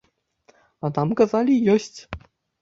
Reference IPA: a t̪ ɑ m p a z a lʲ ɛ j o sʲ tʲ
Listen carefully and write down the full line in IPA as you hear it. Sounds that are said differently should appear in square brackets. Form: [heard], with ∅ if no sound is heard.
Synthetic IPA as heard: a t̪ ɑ m [k] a z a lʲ [i] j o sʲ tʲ